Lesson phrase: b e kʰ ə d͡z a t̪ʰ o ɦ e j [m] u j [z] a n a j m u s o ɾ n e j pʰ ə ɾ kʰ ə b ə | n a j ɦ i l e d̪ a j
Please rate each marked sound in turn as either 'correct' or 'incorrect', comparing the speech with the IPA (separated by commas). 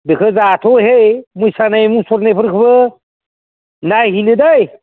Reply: correct, incorrect